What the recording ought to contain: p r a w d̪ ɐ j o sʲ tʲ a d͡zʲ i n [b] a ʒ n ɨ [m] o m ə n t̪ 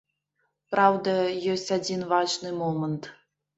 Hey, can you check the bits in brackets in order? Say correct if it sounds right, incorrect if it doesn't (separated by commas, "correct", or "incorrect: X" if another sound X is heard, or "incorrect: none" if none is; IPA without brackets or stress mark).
incorrect: v, correct